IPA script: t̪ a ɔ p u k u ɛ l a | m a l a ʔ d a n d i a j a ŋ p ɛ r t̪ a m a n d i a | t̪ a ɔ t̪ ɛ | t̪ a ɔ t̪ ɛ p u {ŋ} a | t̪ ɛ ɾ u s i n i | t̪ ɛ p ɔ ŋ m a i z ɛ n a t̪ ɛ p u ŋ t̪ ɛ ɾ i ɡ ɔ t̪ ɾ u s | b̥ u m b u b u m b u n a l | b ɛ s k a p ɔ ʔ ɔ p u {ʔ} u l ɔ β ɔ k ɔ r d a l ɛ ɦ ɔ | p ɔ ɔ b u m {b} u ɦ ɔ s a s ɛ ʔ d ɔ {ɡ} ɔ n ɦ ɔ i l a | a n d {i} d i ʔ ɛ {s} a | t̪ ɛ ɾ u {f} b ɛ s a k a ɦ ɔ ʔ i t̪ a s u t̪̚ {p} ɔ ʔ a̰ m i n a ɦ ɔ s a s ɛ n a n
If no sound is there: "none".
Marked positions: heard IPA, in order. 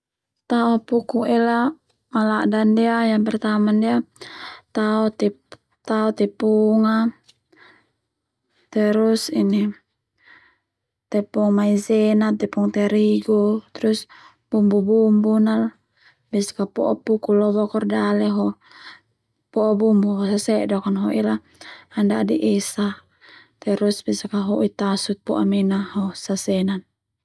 ŋ, k, b, k, a, s, s, p

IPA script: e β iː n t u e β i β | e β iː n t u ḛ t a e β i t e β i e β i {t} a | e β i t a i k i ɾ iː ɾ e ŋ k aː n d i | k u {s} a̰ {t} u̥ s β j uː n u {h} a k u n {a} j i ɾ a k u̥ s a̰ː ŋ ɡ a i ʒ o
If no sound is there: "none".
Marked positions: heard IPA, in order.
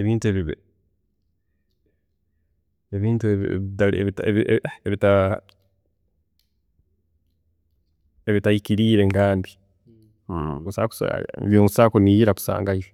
t, s, k, s, i

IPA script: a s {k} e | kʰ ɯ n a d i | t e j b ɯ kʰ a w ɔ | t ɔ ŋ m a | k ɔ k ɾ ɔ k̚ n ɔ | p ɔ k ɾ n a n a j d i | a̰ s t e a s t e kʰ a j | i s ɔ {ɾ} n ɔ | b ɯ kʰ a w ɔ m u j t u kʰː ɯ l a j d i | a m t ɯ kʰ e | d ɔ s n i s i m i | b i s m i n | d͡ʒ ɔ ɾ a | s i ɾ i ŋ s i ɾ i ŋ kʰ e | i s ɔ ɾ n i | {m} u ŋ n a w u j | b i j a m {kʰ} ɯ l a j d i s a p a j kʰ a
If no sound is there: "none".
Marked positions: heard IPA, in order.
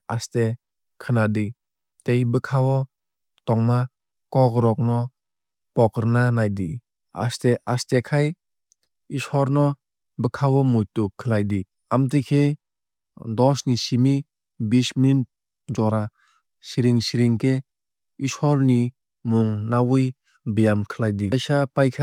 t, ɾ, m, kʰ

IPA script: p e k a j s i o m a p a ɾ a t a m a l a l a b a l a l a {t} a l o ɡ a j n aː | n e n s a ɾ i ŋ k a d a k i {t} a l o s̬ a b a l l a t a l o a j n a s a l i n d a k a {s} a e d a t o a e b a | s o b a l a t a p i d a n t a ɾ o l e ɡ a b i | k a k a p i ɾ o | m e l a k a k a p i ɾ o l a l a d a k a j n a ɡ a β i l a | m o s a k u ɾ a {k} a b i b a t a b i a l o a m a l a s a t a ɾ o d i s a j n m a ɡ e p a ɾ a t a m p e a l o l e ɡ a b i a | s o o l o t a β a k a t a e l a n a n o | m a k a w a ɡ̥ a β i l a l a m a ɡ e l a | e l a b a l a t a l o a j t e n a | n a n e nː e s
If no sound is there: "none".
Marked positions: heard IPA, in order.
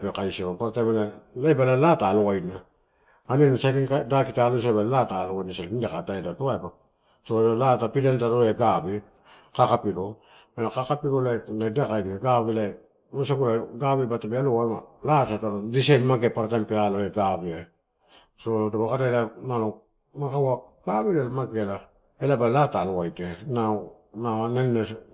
t, t, t, ɡ

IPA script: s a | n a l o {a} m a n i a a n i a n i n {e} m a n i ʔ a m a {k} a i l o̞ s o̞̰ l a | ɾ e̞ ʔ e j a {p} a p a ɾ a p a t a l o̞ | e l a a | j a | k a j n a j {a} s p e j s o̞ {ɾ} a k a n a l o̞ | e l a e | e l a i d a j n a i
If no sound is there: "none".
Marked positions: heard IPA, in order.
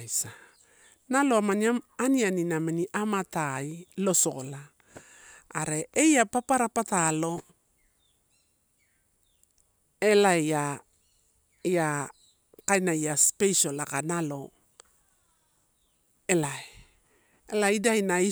a, a, t, p, a, l

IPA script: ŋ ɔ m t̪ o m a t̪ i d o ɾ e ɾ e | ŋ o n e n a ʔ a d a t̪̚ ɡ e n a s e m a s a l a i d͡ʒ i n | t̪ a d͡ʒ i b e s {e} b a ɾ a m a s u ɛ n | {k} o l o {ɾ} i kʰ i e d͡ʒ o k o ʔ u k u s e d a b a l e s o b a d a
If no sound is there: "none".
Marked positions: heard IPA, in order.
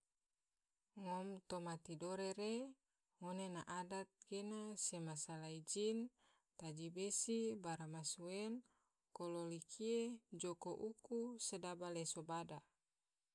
i, k, l

